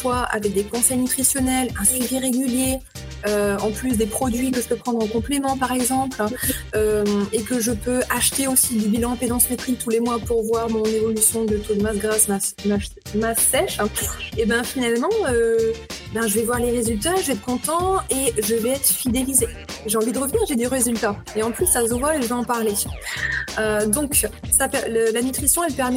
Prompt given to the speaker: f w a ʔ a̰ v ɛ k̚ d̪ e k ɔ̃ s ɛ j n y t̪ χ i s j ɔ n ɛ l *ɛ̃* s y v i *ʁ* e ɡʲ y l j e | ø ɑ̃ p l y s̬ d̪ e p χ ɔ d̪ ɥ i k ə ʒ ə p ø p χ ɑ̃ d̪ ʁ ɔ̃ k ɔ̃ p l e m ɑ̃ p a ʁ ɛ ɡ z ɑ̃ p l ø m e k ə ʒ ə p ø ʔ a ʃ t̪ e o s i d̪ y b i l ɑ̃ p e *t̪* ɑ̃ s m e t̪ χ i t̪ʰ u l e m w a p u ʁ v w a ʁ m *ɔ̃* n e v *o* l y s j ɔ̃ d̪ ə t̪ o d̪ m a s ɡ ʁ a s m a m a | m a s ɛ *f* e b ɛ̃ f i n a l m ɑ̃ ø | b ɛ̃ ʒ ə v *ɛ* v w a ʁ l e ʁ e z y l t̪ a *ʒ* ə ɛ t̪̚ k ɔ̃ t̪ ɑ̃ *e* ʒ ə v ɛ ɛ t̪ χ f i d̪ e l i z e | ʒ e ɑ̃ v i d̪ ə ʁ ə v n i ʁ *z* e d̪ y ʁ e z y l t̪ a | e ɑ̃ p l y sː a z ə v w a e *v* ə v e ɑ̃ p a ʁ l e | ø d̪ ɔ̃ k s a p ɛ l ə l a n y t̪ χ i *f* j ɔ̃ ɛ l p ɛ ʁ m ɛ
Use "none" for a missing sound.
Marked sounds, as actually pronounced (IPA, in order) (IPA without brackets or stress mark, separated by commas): ɛ̃, ʁ, d̪, ɔ̃, ɔ, ʃ, ɛ, ʒ, e, ʒ, ʒ, s